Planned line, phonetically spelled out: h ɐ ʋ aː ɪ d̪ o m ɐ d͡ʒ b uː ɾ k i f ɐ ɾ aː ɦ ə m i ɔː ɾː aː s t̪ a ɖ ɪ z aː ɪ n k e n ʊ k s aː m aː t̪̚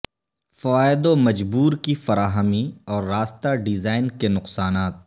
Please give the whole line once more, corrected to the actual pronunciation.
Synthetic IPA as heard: f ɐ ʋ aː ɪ d̪ o m ɐ d͡ʒ b uː ɾ k i f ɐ ɾ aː ɦ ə m i ɔː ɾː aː s t̪ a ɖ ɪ z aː ɪ n k e n ʊ q s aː n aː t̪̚